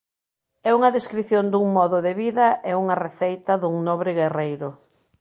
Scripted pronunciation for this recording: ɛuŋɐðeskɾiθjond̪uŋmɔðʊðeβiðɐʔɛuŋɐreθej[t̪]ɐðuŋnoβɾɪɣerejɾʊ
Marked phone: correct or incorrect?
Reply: correct